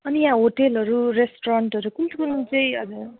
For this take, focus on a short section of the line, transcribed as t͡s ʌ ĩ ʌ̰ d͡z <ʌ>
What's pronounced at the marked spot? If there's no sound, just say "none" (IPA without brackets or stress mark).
ʌ